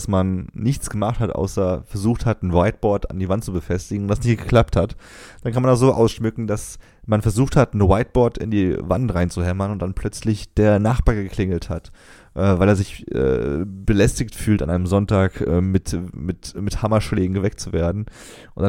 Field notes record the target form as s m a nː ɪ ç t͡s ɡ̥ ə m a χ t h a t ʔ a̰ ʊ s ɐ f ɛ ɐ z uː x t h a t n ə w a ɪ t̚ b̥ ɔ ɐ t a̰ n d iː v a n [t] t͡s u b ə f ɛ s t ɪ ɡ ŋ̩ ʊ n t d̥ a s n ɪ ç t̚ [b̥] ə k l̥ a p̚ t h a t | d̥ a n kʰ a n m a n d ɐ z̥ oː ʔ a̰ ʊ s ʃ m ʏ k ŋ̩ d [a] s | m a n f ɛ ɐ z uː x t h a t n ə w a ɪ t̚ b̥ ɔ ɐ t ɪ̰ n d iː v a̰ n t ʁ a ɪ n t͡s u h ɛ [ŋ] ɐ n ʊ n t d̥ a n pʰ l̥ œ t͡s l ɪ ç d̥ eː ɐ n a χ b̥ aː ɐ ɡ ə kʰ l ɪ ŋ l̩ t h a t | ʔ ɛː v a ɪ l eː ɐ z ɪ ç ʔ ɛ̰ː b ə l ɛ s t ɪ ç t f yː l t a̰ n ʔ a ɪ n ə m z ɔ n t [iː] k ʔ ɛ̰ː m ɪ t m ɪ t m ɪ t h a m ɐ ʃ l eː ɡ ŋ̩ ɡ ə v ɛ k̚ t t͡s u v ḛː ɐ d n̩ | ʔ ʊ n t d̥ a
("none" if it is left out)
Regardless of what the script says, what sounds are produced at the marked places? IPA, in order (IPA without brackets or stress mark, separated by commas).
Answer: t, ɡ̥, a, m, aː